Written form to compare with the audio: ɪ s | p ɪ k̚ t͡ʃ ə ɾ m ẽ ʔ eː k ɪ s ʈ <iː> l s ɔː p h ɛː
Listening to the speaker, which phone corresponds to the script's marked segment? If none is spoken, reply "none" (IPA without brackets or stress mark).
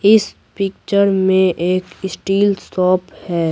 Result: iː